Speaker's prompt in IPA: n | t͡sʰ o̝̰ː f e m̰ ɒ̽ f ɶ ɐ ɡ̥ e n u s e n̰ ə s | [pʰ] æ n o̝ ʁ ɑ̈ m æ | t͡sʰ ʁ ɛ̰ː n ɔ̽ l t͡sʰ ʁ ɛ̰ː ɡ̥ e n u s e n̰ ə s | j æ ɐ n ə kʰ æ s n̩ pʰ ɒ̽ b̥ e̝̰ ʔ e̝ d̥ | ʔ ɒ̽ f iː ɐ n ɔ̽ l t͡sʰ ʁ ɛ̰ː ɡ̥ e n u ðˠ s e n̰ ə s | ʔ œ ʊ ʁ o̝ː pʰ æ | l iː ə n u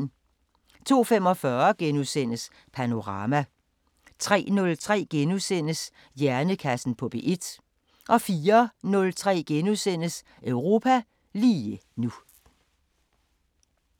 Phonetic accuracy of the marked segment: correct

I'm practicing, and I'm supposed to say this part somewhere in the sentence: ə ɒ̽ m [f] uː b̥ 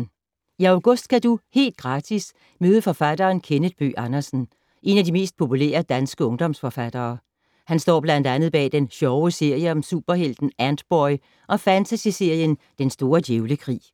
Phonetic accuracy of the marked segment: incorrect: s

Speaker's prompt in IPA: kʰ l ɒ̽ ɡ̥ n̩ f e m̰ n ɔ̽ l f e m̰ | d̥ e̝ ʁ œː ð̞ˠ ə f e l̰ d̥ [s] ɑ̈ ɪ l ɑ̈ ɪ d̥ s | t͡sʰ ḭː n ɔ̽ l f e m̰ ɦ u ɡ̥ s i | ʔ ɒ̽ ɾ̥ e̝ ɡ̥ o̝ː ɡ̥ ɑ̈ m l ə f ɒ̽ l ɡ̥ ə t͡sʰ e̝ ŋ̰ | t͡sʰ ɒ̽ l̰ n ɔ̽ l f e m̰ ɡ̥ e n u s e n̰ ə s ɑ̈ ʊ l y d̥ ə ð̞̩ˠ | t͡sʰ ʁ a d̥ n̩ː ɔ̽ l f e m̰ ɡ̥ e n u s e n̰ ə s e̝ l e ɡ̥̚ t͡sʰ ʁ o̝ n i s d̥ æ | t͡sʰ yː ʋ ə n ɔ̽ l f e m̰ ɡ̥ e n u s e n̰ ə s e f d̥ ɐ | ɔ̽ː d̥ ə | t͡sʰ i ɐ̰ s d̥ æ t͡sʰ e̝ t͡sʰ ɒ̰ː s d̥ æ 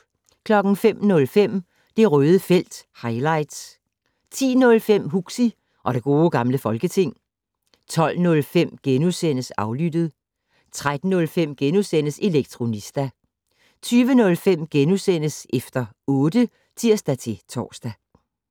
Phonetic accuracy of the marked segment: incorrect: h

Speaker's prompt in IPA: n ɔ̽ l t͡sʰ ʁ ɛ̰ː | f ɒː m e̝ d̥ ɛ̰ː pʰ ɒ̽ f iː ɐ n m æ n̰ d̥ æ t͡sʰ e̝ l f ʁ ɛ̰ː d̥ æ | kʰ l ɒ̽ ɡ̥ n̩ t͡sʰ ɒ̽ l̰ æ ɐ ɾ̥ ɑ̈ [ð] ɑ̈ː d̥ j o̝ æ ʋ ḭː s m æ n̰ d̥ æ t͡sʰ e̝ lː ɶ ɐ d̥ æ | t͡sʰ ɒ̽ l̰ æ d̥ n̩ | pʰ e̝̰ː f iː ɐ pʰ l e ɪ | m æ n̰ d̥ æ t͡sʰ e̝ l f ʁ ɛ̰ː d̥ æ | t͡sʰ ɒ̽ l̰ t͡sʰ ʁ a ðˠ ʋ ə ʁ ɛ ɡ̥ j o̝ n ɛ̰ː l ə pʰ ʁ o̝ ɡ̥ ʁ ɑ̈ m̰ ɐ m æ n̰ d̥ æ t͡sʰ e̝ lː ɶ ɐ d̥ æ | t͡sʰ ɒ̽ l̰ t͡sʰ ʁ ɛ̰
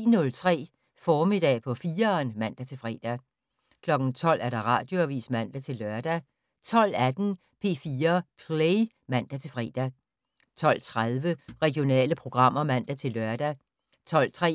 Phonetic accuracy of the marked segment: incorrect: ʁ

